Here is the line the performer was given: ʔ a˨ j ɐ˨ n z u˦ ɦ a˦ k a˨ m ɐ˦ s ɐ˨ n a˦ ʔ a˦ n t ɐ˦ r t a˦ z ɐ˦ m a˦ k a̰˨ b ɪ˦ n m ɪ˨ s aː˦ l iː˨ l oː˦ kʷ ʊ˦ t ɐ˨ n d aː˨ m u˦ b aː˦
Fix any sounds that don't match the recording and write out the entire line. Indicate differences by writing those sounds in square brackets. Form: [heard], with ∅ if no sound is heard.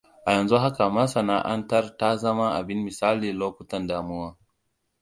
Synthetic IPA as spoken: ʔ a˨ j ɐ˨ n z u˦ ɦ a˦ k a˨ m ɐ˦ s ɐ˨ n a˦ ʔ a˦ n t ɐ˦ r t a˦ z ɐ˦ m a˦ [ʔ] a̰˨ b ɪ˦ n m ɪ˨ s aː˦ l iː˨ l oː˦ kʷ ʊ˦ t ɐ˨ n d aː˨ m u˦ [w] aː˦